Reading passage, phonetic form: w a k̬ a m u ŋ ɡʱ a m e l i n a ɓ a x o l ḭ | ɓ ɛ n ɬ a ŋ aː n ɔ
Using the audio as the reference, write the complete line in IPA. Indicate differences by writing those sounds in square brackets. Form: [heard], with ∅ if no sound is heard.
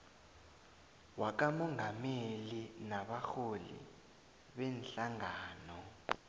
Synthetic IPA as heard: w a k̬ a m [ɔ] ŋ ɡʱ a m e l i n a ɓ a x o l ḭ | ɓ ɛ n ɬ a ŋ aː n ɔ